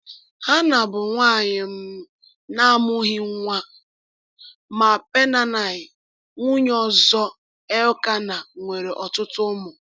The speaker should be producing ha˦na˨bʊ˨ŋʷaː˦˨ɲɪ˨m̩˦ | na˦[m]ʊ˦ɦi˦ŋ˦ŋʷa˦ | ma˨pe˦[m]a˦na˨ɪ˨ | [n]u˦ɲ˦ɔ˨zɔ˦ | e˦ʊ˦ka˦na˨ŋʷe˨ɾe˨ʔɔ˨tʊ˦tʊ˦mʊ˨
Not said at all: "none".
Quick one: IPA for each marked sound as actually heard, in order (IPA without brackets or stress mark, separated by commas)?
m, n, ŋ